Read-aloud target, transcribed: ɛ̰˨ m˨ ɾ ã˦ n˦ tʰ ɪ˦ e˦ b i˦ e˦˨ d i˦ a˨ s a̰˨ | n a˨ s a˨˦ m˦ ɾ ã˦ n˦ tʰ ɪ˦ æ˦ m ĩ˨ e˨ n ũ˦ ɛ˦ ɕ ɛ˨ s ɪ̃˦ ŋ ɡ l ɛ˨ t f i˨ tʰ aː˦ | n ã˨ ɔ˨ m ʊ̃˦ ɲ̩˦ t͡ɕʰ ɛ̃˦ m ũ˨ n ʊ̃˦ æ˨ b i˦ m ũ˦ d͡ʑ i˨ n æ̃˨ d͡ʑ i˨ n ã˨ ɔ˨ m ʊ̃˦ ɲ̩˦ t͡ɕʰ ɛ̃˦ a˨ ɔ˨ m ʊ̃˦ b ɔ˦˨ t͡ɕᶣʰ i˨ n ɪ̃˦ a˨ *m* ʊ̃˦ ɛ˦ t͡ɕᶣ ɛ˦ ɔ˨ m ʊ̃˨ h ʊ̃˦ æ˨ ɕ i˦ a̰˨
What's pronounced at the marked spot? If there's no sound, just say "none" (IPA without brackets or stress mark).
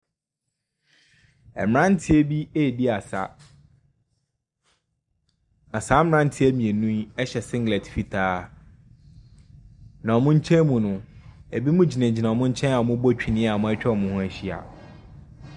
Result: m